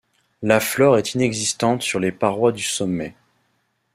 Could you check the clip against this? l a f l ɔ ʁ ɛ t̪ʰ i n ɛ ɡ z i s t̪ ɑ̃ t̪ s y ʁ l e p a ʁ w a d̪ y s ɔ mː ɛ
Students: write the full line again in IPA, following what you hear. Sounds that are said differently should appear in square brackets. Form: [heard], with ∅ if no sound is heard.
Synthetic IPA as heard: l a f l ɔ ʁ ɛ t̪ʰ i n ɛ ɡ z i s t̪ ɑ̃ t̪ s y ʁ l e p a ʁ w a d̪ y s ɔ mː ɛ